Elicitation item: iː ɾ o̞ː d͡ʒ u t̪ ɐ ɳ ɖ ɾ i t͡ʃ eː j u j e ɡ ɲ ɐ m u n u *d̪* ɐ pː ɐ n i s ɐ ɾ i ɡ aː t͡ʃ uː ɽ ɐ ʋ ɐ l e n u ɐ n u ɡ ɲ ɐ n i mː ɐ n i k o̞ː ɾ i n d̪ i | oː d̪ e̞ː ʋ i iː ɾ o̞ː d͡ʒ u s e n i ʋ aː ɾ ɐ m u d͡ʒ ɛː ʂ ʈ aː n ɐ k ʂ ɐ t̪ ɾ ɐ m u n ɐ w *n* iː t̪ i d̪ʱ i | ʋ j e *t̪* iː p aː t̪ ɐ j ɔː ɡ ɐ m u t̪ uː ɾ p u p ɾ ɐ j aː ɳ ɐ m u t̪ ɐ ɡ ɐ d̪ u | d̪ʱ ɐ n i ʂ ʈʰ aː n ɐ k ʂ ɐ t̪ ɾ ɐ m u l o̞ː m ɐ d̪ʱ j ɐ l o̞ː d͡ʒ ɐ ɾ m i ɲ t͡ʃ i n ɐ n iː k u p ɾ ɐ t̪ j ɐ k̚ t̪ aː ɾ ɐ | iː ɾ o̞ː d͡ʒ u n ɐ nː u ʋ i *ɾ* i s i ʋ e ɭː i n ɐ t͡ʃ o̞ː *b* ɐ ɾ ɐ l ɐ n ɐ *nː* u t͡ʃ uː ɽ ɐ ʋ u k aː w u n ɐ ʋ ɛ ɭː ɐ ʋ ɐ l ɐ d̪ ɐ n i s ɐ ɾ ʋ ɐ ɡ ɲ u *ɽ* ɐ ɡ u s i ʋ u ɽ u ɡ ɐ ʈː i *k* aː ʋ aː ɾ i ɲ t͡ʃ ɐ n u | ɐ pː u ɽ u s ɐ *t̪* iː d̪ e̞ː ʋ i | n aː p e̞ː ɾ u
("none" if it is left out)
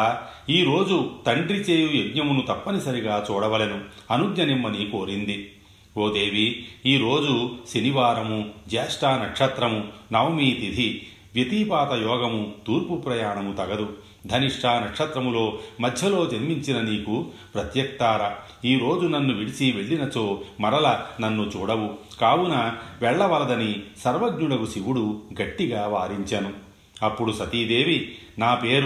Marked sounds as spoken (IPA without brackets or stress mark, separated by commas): t̪, m, t̪, ɽ, m, nː, ɽ, ɡ, t̪